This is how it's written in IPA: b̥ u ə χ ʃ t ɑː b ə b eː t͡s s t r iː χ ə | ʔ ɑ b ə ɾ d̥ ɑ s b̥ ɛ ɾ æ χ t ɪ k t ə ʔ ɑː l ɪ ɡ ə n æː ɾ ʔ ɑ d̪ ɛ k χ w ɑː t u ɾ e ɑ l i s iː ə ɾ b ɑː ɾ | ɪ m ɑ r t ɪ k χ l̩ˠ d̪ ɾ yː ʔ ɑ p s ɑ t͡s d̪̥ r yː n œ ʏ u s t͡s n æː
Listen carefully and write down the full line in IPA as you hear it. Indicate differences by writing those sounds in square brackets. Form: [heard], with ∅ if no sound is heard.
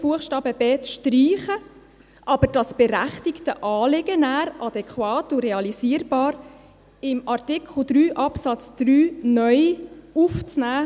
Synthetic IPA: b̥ u ə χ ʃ t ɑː b ə b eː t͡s [ʃ] t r iː χ ə | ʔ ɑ b ə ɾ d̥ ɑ s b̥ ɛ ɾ æ χ t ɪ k t ə ʔ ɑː l ɪ ɡ ə n æː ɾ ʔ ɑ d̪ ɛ k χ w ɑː t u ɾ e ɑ l i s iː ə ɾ b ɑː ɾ | ɪ m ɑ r t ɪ k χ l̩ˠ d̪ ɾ yː ʔ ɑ p s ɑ t͡s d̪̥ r yː n œ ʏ u [f] t͡s n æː

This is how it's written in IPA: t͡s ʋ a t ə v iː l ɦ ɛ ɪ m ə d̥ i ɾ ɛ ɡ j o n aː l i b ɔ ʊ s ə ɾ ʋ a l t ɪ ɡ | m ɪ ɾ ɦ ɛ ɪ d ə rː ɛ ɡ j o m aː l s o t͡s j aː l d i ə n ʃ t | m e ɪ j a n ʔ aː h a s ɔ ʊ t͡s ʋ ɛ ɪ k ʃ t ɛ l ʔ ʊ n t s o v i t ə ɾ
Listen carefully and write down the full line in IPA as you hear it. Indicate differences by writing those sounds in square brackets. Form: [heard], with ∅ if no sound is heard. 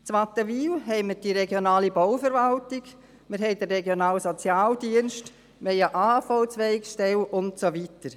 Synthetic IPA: t͡s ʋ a t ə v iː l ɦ ɛ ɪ m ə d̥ i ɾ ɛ ɡ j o n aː l i b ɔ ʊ [f] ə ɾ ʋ a l t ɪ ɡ | m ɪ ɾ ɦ ɛ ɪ d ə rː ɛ ɡ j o [n] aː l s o t͡s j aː l d i ə n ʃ t | m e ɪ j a [∅] ʔ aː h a [f] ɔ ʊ t͡s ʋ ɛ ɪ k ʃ t ɛ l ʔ ʊ n t s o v i t ə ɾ

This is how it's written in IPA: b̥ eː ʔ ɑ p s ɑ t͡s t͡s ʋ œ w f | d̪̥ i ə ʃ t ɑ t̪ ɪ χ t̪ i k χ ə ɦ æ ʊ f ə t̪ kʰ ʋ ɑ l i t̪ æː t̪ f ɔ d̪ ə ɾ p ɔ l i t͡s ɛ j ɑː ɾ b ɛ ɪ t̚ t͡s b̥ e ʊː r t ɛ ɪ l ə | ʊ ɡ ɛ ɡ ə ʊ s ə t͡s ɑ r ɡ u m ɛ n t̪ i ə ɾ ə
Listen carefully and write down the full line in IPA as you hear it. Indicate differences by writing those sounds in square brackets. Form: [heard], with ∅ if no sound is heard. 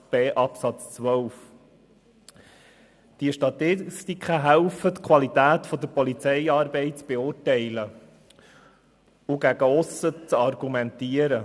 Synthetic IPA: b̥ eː ʔ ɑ p s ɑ t͡s t͡s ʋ œ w f | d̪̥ i ə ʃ t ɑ t̪ ɪ [s] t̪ i k χ ə ɦ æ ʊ f ə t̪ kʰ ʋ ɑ l i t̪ æː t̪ f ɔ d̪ ə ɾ p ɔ l i t͡s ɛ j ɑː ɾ b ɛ ɪ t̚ t͡s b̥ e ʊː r t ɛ ɪ l ə | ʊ ɡ [æ] ɡ ə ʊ s ə t͡s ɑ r ɡ u m ɛ n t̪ i ə ɾ ə

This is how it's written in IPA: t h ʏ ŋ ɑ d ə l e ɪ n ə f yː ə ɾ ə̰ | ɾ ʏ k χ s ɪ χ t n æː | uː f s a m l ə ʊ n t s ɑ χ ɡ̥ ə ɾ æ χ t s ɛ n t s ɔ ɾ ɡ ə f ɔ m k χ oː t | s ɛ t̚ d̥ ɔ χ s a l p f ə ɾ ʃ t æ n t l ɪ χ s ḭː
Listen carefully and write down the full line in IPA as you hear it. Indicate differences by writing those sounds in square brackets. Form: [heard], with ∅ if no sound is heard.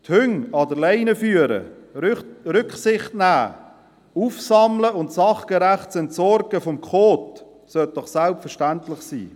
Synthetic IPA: t h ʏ ŋ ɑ d ə l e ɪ n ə f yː ə ɾ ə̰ | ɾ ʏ k χ s ɪ χ t n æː | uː f s [ɑ] m l ə ʊ n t s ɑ χ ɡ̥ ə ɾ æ χ t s ɛ n t s ɔ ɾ ɡ ə f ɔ m k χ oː t | s [œ] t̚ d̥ ɔ χ s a l p f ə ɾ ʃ t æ n t l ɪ χ s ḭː

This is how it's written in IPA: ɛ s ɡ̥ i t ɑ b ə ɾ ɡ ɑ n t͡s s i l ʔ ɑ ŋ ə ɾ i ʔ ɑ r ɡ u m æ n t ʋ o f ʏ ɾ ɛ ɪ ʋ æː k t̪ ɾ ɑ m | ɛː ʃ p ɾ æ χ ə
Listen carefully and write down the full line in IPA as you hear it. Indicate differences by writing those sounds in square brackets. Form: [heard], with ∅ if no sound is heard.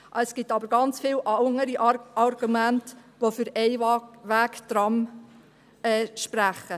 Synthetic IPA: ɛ s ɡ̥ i t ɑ b ə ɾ ɡ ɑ n t͡s [f] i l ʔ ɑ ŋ ə ɾ i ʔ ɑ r ɡ u m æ n t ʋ o f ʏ ɾ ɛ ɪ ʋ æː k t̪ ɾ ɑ m | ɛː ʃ p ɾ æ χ ə

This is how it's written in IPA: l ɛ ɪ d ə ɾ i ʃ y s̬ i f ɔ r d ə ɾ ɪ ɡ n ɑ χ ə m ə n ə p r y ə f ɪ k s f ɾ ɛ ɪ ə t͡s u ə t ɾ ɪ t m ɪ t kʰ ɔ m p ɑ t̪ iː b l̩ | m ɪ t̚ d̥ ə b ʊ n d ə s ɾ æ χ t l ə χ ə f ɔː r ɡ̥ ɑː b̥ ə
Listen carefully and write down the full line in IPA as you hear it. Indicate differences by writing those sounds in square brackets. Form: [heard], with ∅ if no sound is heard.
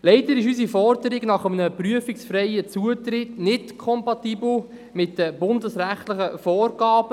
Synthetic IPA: l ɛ ɪ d ə ɾ [ɪ] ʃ y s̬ i f ɔ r d ə ɾ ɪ ɡ n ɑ χ ə m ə n ə p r y ə f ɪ k s f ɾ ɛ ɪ ə t͡s u ə t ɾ ɪ t [n] ɪ t kʰ ɔ m p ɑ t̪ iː b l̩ | m ɪ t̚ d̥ ə b ʊ n d ə s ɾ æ χ t l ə χ ə f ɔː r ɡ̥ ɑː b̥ ə

